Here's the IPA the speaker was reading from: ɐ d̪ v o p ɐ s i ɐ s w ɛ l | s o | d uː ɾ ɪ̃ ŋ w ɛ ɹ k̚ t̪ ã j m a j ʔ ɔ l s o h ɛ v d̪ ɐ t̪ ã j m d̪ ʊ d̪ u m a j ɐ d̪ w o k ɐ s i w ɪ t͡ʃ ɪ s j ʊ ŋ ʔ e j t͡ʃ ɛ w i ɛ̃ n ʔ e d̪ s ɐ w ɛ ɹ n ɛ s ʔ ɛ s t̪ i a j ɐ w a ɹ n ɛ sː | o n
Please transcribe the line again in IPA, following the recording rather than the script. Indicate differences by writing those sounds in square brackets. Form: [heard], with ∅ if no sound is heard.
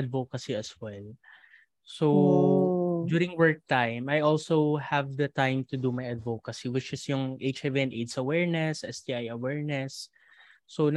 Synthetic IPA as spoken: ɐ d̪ v o [k] ɐ s i ɐ s w ɛ l | s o | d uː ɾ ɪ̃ ŋ w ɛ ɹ k̚ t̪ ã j m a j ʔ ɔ l s o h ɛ v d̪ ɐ t̪ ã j m [t̪] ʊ d̪ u m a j ɐ d̪ [v] o k ɐ s i w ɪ t͡ʃ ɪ s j ʊ ŋ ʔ e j t͡ʃ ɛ [v] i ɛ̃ n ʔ e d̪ s ɐ w ɛ ɹ n ɛ s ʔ ɛ s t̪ i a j ɐ w [ɛ] ɹ n ɛ sː | o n